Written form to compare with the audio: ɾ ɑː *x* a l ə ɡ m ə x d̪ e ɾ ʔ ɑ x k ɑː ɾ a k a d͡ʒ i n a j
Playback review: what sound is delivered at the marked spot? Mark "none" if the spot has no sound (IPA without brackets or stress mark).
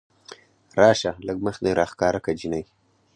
ʃ